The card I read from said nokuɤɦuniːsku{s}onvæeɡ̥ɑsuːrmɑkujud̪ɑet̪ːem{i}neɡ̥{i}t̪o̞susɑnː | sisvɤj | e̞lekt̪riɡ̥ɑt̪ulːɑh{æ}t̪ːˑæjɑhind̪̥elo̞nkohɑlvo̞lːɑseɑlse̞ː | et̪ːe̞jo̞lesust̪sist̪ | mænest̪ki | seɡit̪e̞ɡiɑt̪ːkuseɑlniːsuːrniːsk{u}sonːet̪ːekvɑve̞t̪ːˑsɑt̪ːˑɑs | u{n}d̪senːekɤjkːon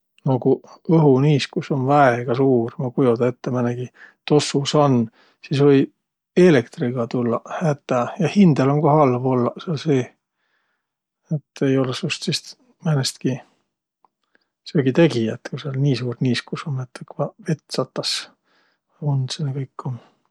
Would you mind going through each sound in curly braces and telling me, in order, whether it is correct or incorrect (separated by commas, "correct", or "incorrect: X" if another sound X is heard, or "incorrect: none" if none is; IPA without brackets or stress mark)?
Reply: correct, incorrect: æ, correct, correct, correct, correct